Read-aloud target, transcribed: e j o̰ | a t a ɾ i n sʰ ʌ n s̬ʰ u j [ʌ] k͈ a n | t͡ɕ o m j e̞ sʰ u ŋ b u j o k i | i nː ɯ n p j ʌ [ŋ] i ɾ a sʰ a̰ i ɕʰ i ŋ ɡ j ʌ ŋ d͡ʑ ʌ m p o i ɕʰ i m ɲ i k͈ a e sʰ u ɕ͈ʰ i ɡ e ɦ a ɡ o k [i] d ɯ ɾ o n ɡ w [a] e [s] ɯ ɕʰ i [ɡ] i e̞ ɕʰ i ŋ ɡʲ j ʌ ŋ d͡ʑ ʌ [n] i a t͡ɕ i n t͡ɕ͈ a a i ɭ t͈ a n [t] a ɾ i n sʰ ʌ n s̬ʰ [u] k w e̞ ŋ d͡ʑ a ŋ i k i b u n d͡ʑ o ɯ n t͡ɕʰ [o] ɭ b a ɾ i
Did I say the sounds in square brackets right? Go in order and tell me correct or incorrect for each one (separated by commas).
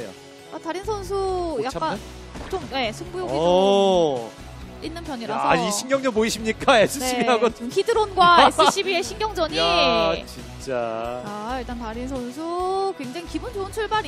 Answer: incorrect, incorrect, correct, correct, correct, incorrect, incorrect, correct, correct, incorrect